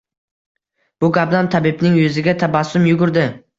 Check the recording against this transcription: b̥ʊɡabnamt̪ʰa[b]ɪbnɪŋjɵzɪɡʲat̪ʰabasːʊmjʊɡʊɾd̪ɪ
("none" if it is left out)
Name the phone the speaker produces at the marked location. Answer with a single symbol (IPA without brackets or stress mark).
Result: b